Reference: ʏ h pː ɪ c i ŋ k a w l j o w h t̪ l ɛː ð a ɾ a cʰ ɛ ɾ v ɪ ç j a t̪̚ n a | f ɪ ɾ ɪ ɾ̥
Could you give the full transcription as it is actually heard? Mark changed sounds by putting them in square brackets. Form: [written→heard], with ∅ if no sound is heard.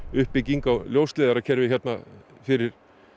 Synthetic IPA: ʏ h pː ɪ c i ŋ k a w l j o w [h→s] t̪ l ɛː ð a ɾ a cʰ ɛ ɾ v ɪ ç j [a→ɛ] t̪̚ n a | f ɪ ɾ ɪ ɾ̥